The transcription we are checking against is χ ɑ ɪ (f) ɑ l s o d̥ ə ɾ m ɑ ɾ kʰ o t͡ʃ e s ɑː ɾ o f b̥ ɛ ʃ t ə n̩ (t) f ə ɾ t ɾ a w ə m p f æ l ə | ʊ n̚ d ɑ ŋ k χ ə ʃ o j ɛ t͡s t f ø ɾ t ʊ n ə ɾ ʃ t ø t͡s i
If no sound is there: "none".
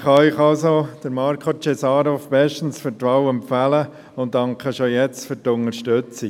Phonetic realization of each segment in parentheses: χ, s

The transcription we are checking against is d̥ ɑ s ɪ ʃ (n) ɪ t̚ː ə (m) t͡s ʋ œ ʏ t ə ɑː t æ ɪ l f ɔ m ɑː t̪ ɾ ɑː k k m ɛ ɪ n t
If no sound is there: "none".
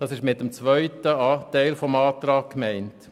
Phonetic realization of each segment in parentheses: m, m

